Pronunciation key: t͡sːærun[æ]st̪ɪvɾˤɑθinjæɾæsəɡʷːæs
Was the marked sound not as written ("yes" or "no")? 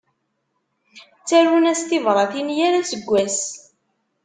no